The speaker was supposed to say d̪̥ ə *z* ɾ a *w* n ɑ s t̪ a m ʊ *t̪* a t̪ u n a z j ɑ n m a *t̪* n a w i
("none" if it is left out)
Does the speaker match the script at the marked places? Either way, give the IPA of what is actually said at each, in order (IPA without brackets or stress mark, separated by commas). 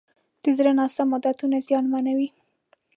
z, none, d̪, none